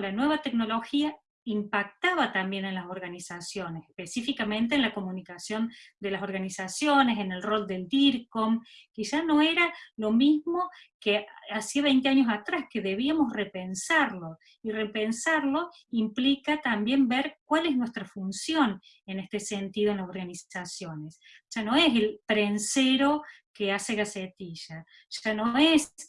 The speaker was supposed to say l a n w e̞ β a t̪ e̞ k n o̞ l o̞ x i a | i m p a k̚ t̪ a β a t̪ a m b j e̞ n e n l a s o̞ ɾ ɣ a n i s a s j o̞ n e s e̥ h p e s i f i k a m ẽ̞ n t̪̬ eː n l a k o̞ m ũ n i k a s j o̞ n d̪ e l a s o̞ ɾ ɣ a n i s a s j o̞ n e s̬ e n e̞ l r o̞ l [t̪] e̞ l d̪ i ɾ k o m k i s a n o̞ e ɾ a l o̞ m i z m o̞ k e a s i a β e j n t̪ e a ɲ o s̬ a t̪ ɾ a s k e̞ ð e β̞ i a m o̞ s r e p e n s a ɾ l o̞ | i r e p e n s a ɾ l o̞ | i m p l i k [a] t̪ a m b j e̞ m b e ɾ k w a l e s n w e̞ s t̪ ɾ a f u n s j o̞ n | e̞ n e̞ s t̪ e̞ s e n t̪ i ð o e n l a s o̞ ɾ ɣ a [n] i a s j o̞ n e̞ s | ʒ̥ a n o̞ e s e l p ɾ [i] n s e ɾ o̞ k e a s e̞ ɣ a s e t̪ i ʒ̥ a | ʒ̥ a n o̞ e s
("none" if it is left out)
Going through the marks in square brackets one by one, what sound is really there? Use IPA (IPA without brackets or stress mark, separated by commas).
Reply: d̪, a, n, e